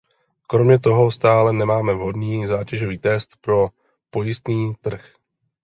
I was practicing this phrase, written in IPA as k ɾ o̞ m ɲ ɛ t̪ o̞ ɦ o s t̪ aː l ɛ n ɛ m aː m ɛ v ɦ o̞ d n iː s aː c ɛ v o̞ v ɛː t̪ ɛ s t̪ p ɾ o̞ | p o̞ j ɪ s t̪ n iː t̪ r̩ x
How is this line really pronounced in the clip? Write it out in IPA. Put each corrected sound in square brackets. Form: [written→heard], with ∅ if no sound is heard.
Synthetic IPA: k ɾ o̞ m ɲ ɛ t̪ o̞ ɦ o s t̪ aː l ɛ n ɛ m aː m ɛ v ɦ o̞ d n iː [s→z] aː c ɛ [v→ʒ] o̞ v [ɛː→iː] t̪ ɛ s t̪ p ɾ o̞ | p o̞ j ɪ s t̪ n iː t̪ r̩ x